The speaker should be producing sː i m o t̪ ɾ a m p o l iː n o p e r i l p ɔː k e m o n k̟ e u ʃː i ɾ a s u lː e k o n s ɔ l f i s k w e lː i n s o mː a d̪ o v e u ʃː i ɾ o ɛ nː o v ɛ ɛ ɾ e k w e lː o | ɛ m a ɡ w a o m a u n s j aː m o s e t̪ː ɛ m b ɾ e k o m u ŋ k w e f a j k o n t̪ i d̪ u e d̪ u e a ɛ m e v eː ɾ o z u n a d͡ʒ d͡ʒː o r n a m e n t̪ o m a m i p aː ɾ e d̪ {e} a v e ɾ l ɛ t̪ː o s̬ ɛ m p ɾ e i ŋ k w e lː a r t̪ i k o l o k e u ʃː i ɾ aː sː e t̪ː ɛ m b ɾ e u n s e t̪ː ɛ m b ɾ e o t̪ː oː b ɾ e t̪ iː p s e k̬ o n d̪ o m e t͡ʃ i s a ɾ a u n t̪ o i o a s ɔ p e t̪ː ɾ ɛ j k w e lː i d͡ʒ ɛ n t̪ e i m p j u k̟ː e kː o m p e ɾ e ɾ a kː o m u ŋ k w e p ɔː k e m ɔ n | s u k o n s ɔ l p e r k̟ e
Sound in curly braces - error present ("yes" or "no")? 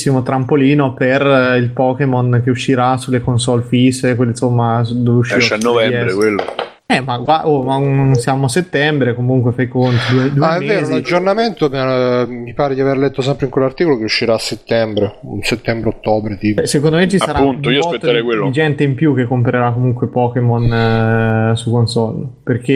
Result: yes